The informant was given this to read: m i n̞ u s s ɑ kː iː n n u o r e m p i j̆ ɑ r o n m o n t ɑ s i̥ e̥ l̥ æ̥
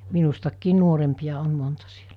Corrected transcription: m i n̞ u s t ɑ kː iː n n u o r e m p i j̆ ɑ o n m o n t ɑ s i̥ e̥ l̥ æ̥